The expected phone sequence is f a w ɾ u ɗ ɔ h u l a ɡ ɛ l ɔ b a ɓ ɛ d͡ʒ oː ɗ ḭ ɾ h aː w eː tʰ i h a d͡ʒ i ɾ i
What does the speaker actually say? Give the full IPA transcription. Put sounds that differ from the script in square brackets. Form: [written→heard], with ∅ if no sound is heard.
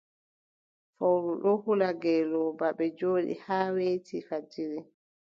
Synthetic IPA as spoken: f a w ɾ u ɗ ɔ h u l a ɡ ɛ l ɔ b a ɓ ɛ d͡ʒ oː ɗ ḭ [ɾ→∅] h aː w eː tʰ i [h→f] a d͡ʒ i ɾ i